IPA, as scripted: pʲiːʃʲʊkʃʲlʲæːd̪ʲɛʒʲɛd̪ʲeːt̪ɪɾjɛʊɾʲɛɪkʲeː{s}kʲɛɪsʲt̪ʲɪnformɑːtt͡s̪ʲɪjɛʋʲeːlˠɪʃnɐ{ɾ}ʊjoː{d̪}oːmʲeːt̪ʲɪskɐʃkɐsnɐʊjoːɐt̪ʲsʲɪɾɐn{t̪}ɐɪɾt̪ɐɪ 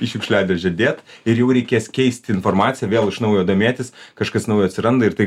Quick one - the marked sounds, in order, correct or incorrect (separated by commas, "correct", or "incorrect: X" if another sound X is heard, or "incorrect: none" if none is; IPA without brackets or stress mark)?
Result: correct, incorrect: none, correct, incorrect: d̪